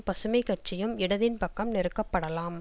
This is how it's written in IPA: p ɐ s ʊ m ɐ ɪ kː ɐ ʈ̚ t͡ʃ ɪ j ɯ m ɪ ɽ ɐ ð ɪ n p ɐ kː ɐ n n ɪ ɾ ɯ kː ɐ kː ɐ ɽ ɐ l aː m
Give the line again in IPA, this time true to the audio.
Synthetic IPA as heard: p ɐ s ɯ m ɐ ɪ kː ɐ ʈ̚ t͡ʃ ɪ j ɯ m ɪ ɽ ɐ ð ɪ n p ɐ kː ɐ m n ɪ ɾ ɯ kː ɐ pː ɐ ɽ ɐ l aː m